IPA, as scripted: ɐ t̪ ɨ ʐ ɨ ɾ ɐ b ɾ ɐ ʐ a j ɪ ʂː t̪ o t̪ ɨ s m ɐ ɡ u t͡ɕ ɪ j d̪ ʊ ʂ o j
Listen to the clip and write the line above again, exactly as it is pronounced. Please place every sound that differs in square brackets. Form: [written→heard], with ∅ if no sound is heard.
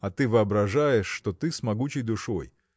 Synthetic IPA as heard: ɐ t̪ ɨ [ʐ→v] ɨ [ɾ→∅] ɐ b ɾ ɐ ʐ a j ɪ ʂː t̪ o t̪ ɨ s m ɐ ɡ u t͡ɕ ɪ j d̪ ʊ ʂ o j